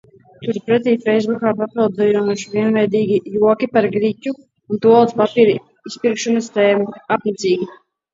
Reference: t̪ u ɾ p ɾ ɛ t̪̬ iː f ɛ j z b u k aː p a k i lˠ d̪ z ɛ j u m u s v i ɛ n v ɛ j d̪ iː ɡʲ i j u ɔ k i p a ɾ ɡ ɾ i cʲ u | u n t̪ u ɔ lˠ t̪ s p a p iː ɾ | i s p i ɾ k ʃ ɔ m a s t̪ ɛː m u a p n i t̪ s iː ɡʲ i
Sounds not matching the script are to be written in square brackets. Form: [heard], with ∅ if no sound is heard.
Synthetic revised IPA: t̪ u ɾ p ɾ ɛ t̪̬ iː f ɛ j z b u k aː p a [p] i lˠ d̪ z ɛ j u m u [ʃ] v i ɛ n v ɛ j d̪ iː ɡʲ i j u ɔ k i p a ɾ ɡ ɾ i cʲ u | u n t̪ u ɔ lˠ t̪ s p a p iː ɾ | i s p i ɾ k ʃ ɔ [n] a s t̪ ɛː m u a p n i t̪ s iː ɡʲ i